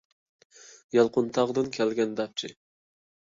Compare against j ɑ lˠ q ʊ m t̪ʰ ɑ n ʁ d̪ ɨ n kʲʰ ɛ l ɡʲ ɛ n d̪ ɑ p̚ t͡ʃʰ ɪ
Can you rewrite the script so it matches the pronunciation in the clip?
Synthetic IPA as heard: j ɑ lˠ q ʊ n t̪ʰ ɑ ʁ d̪ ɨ n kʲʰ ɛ l ɡʲ ɛ n d̪ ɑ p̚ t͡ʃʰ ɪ